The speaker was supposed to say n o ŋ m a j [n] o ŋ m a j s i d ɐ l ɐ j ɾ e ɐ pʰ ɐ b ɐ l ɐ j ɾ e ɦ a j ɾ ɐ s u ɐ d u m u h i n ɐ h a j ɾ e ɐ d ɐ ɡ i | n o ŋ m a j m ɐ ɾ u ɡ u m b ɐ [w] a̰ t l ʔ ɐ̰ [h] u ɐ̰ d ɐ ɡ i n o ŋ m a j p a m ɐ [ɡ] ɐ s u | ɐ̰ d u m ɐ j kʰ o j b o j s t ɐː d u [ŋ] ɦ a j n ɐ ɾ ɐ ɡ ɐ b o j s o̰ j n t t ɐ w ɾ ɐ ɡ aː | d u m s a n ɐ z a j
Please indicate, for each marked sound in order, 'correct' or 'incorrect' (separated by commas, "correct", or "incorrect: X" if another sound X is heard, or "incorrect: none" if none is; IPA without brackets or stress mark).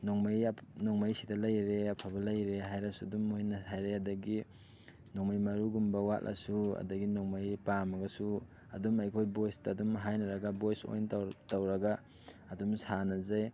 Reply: correct, correct, incorrect: s, correct, incorrect: m